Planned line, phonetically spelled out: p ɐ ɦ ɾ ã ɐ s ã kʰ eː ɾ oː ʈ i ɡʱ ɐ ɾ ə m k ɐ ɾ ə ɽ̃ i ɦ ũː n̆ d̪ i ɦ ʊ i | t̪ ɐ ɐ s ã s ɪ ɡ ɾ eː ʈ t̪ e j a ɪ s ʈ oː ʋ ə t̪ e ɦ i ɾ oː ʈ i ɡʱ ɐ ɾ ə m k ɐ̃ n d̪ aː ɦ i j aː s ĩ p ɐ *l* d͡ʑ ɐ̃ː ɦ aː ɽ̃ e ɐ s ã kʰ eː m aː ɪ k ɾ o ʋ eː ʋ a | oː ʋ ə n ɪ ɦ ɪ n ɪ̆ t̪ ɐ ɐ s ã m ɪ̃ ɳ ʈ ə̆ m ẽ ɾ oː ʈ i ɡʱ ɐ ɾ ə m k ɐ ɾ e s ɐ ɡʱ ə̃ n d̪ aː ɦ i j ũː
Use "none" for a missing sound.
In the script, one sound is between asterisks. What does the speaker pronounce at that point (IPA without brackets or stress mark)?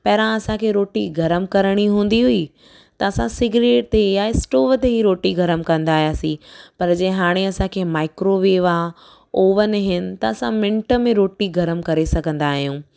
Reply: ɾ